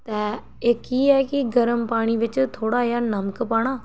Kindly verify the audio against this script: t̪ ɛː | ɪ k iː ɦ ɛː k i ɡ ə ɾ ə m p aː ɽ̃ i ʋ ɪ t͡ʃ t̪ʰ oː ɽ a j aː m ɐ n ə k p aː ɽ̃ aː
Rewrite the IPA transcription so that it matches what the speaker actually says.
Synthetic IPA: t̪ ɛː | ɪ k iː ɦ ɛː k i ɡ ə ɾ ə m p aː ɽ̃ i ʋ ɪ t͡ʃ t̪ʰ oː ɽ a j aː n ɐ m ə k p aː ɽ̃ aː